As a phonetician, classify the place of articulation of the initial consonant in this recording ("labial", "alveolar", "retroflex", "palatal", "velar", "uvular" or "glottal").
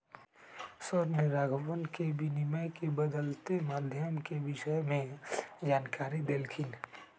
alveolar